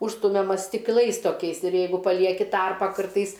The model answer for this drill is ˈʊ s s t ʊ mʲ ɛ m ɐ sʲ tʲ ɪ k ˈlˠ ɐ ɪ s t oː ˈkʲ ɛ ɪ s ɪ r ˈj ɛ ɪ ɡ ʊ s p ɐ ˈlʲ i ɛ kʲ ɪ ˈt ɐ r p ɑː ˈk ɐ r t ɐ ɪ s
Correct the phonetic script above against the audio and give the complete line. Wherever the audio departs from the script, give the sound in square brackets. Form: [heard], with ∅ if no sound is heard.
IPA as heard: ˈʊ [ʃ] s t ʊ mʲ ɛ m ɐ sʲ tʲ ɪ k ˈlˠ ɐ ɪ s t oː ˈkʲ ɛ ɪ s ɪ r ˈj ɛ ɪ ɡ ʊ [∅] p ɐ ˈlʲ i ɛ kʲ ɪ ˈt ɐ r p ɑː ˈk ɐ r t ɐ ɪ s